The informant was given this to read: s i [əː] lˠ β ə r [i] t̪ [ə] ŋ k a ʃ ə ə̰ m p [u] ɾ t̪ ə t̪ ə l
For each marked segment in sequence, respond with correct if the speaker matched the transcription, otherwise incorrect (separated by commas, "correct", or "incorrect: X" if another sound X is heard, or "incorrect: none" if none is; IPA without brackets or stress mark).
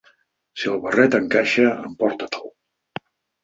incorrect: ə, incorrect: ɛ, correct, incorrect: ɔ